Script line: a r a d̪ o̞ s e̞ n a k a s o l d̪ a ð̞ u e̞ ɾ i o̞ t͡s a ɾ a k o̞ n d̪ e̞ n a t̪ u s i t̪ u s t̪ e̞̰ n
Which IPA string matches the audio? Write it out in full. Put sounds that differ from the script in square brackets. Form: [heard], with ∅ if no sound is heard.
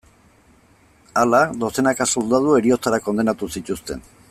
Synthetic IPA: a [l] a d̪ o̞ s e̞ n a k a s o l d̪ a ð̞ u e̞ ɾ i o̞ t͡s a ɾ a k o̞ n d̪ e̞ n a t̪ u s i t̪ u s t̪ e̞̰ n